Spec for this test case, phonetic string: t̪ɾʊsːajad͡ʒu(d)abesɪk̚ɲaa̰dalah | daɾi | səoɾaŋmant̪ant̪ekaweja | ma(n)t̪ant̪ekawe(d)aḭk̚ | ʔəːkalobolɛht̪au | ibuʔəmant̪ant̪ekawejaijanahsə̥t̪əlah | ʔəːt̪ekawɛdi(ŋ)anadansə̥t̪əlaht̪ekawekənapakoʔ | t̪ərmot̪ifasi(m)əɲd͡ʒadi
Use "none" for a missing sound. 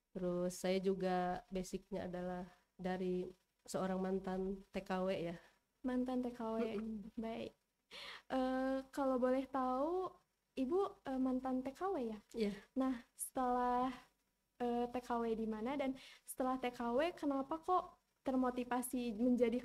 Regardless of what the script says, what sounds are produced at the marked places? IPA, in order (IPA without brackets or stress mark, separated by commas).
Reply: ɡ, n, b, m, m